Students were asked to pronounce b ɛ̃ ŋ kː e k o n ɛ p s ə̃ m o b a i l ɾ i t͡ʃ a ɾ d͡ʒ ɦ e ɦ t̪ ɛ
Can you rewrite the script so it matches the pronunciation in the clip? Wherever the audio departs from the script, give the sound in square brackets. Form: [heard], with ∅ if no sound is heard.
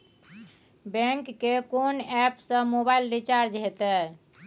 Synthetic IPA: b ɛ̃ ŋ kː e k o n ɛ p s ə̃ m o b a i l ɾ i t͡ʃ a ɾ d͡ʒ ɦ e [∅] t̪ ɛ